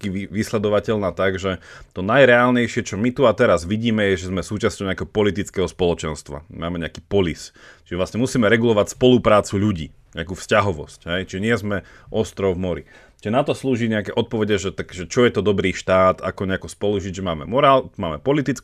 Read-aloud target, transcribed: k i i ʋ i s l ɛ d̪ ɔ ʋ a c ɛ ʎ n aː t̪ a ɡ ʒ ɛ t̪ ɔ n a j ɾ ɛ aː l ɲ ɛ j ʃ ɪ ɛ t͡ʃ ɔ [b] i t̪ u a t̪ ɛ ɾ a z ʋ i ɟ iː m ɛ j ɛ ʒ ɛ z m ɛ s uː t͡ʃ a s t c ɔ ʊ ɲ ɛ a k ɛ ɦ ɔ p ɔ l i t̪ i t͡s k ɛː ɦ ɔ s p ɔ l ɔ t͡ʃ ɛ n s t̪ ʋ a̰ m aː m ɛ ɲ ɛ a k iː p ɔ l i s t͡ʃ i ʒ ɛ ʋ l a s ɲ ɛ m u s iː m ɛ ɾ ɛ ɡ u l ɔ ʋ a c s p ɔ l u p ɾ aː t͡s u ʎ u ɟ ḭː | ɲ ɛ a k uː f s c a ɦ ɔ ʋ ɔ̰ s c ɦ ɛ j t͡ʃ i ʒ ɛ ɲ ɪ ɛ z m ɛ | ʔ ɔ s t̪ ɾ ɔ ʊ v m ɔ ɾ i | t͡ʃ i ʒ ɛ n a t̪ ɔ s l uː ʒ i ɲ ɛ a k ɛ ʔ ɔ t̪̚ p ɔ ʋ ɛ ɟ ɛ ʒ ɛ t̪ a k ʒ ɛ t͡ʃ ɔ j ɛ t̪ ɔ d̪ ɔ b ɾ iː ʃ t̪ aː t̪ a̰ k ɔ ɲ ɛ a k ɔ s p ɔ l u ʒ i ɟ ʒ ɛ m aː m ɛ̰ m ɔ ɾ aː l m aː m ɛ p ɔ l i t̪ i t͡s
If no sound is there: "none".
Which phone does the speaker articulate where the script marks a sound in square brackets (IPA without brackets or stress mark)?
m